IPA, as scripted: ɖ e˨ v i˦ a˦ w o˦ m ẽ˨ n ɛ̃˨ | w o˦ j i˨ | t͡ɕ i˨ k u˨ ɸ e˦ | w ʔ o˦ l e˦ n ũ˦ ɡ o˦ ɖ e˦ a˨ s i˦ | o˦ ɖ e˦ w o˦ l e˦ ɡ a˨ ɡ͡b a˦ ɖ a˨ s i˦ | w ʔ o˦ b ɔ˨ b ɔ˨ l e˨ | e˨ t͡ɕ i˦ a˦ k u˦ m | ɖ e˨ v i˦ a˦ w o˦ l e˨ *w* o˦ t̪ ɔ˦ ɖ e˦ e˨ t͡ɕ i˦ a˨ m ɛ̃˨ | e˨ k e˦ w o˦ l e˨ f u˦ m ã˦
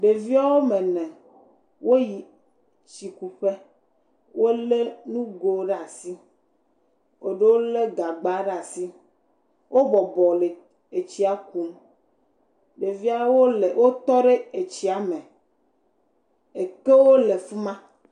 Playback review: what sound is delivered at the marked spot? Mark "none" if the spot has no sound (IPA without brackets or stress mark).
w